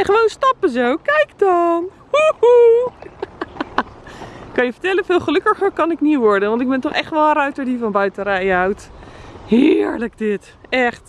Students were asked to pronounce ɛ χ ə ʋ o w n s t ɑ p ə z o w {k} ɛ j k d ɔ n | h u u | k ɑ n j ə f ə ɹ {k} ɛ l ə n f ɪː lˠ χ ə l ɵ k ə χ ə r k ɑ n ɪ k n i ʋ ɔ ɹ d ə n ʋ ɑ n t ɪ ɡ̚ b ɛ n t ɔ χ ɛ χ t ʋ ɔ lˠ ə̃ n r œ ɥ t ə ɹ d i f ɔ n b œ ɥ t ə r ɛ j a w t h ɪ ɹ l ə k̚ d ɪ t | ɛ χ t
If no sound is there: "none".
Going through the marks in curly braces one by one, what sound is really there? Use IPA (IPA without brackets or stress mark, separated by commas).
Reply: k, t